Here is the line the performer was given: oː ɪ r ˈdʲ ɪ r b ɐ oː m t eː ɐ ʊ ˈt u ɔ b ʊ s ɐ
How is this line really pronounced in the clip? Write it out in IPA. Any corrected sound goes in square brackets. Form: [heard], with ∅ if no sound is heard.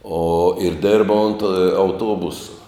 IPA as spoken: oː ɪ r ˈdʲ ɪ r b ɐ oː [n] t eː ɐ ʊ ˈt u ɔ b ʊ s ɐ